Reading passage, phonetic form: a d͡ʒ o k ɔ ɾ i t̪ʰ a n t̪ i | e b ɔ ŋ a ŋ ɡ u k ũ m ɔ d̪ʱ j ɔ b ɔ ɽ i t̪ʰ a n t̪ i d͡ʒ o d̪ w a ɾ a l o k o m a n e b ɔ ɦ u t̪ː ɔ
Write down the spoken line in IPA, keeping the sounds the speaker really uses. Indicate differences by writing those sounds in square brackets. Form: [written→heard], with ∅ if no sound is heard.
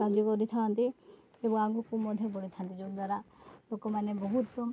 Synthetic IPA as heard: a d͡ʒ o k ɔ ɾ i t̪ʰ a n t̪ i | e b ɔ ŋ a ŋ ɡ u k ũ m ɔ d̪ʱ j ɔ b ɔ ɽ i t̪ʰ a n t̪ i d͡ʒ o d̪ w a ɾ a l o k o m a n e b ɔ ɦ u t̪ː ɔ